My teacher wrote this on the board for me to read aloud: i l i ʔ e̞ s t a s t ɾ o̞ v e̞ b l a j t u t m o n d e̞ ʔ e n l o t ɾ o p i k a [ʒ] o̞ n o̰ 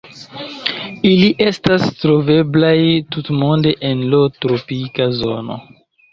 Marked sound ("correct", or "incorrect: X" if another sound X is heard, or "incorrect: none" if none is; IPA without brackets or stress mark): incorrect: z